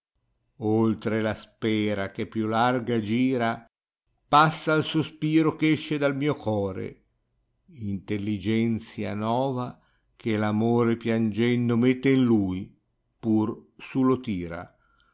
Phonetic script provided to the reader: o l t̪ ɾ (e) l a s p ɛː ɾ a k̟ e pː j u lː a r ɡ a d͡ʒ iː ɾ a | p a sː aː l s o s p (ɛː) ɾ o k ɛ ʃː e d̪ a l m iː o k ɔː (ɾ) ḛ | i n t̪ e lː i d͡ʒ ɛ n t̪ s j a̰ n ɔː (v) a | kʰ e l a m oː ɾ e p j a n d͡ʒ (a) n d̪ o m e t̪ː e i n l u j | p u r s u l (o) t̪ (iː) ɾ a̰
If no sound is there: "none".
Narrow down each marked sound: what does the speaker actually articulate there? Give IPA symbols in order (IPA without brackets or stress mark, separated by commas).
e, iː, ɾ, v, ɛ, o, iː